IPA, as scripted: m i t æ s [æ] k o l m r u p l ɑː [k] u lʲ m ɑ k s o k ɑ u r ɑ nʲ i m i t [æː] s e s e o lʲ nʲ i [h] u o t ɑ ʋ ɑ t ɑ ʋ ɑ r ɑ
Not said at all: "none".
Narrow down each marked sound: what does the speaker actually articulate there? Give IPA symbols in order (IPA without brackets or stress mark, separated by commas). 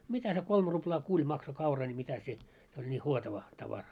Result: e, k, æ, h